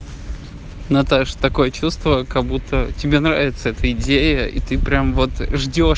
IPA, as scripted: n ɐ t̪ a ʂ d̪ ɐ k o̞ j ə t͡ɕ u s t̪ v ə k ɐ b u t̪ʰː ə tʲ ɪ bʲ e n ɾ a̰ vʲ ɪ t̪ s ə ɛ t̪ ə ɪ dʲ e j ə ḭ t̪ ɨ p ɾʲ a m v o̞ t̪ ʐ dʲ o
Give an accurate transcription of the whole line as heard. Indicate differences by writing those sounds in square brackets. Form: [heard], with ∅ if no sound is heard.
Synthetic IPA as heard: n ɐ t̪ a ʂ [t̪] ɐ k o̞ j ə t͡ɕ u s t̪ v ə k ɐ b u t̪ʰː ə tʲ ɪ bʲ e n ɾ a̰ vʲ ɪ t̪ s ə ɛ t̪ ə ɪ dʲ e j ə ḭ t̪ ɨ p ɾʲ a m v o̞ t̪ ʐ dʲ o